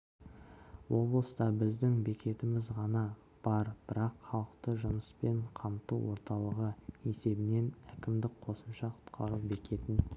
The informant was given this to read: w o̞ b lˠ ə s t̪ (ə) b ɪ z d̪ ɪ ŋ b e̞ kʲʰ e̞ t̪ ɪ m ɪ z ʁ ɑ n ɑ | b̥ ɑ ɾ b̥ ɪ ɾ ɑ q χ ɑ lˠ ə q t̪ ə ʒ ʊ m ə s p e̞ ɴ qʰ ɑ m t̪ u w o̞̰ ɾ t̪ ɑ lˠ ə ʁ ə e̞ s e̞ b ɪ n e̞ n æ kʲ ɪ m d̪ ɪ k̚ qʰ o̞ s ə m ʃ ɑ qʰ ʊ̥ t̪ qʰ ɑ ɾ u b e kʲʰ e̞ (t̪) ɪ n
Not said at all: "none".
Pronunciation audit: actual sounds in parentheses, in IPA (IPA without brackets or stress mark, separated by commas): ɑ, t̪